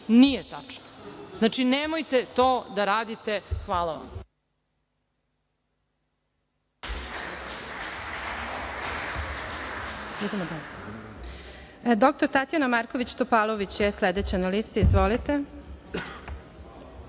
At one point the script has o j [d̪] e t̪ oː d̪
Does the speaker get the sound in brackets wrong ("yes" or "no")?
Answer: yes